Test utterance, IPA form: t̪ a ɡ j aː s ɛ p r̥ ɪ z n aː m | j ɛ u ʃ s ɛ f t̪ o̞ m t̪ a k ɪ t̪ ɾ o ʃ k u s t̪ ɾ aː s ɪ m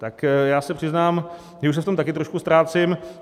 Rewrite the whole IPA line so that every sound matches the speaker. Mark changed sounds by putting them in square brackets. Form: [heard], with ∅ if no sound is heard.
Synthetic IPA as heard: t̪ a [k] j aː s ɛ p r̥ ɪ z n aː m | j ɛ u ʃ s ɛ f t̪ o̞ m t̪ a k ɪ t̪ ɾ o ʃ k u s t̪ ɾ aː [t͡s] ɪ m

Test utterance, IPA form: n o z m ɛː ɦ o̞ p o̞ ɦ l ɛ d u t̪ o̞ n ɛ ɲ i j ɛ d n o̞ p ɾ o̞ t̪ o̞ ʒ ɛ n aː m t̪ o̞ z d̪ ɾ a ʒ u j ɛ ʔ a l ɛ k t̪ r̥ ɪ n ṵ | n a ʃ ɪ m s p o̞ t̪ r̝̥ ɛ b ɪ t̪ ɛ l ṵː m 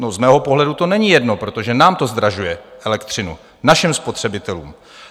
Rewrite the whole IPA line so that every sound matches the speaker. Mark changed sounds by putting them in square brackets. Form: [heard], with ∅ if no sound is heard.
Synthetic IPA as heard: n o z m ɛː ɦ o̞ p o̞ ɦ l ɛ d u t̪ o̞ n ɛ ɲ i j ɛ d n o̞ p ɾ o̞ t̪ o̞ ʒ ɛ n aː m t̪ o̞ z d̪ ɾ a ʒ u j ɛ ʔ [ɛ] l ɛ k t̪ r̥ ɪ n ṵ | n a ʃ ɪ m s p o̞ t̪ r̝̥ ɛ b ɪ t̪ ɛ l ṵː m

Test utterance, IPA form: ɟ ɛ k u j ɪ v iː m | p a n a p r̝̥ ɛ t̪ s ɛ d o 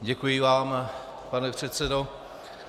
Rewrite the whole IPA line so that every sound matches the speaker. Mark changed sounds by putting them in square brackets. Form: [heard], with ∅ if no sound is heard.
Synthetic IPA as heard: ɟ ɛ k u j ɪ v [aː] m | p a n [ɛ] p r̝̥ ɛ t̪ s ɛ d o

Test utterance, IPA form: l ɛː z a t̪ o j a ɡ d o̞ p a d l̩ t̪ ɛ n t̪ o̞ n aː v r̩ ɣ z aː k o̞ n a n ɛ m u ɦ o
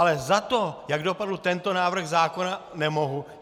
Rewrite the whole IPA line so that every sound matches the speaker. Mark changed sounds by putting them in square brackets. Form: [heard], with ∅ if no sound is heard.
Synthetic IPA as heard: l [ɛ] z a t̪ o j a ɡ d o̞ p a d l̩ t̪ ɛ n t̪ o̞ n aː v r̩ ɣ z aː k o̞ n a n ɛ m [o] ɦ [u]

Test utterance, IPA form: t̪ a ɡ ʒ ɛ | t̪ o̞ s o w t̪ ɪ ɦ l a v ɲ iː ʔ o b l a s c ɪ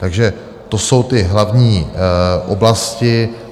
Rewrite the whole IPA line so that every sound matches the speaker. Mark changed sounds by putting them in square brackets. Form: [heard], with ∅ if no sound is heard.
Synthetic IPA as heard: t̪ a ɡ ʒ ɛ | t̪ o̞ s o w t̪ ɪ ɦ l a v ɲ iː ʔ o b l a s c ɪ

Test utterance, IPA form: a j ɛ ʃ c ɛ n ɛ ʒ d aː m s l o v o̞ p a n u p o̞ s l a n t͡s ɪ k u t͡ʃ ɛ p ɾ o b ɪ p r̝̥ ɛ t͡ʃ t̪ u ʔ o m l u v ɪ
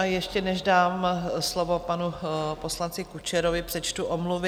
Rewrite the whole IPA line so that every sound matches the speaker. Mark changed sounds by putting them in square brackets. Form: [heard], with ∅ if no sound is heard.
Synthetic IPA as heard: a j ɛ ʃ c ɛ n ɛ ʒ d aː m s l o v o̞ p a n u p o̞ s l a n t͡s ɪ k u t͡ʃ ɛ [∅] ɾ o [v] ɪ p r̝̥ ɛ t͡ʃ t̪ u ʔ o m l u v ɪ

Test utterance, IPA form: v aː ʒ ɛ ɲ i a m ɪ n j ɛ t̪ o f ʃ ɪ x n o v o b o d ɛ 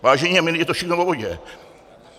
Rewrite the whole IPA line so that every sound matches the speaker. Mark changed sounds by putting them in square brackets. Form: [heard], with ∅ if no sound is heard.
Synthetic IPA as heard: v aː ʒ ɛ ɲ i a m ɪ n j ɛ t̪ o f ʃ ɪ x n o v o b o [ɟ] ɛ

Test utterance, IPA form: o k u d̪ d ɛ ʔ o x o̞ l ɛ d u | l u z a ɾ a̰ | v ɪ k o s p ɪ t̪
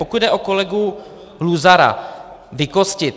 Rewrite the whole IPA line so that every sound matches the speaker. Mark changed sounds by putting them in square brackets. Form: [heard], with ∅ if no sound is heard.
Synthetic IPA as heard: o k u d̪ d ɛ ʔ o [k] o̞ l ɛ [ɡ] u | l u z a ɾ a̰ | v ɪ k o s [c] ɪ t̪

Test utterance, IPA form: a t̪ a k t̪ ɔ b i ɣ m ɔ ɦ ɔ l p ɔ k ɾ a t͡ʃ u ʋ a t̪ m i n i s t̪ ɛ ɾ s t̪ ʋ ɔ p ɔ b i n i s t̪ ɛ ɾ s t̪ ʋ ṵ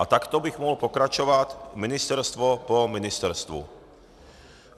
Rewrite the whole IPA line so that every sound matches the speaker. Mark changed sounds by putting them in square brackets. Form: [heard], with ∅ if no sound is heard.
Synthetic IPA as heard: a t̪ a k t̪ ɔ b i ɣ m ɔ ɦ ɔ l p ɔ k ɾ a t͡ʃ [ɔ] ʋ a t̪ m i n i s t̪ ɛ ɾ s t̪ ʋ ɔ p ɔ [m] i n i s t̪ ɛ ɾ s t̪ ʋ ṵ

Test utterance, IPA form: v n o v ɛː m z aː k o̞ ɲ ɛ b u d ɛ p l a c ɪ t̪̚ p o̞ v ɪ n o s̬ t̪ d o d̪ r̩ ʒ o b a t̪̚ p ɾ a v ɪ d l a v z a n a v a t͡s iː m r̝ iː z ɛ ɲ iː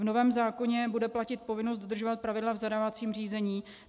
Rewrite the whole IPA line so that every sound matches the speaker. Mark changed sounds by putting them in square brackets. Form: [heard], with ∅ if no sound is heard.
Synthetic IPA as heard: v n o v ɛː m z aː k o̞ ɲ ɛ b u d ɛ p l a c ɪ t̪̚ p o̞ v ɪ n o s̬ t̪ d o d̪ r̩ ʒ o [v] a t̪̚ p ɾ a v ɪ d l a v z a [d] a v a t͡s iː m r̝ iː z ɛ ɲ iː

